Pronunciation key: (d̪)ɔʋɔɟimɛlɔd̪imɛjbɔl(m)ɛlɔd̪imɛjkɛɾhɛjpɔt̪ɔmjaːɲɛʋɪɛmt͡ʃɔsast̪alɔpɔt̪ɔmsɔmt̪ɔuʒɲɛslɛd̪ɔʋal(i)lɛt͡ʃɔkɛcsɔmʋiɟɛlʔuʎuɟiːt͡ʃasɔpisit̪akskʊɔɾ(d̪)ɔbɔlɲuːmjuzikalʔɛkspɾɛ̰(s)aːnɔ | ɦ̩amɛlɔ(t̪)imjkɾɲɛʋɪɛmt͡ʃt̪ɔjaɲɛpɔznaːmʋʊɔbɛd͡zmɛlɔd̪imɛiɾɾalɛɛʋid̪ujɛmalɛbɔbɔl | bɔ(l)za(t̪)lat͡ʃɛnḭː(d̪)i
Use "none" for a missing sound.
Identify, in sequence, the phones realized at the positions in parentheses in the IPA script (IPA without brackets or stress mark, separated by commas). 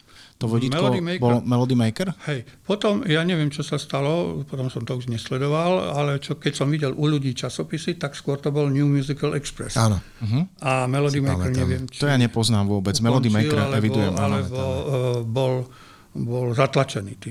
t̪, m, a, t̪, s, d̪, l, t̪, t̪